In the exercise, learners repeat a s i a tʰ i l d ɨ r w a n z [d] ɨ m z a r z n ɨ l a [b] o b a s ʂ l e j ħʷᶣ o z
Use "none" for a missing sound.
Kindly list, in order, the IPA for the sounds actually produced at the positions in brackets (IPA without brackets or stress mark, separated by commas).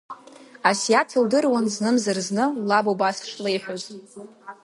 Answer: n, b